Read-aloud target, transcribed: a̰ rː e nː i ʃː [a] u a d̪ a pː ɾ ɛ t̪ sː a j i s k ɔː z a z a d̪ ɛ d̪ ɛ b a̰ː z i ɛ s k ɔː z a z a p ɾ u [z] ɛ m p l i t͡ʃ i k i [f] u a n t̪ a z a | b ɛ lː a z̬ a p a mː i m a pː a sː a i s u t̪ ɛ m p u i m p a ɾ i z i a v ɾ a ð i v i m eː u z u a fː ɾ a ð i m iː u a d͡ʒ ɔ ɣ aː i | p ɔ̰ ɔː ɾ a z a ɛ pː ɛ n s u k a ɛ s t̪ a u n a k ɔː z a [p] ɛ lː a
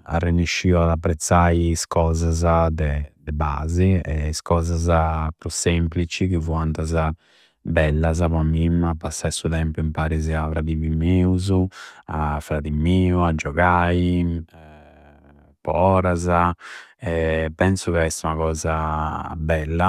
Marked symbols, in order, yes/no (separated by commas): no, no, no, no